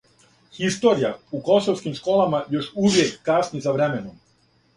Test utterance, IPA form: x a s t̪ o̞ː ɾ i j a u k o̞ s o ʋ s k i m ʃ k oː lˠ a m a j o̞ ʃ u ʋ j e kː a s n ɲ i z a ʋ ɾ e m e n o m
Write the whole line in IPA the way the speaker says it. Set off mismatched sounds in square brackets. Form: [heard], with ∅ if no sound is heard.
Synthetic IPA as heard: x [i] s t̪ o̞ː ɾ i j a u k o̞ s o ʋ s k i m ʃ k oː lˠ a m a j o̞ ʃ u ʋ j e kː a s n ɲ i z a ʋ ɾ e m e n o m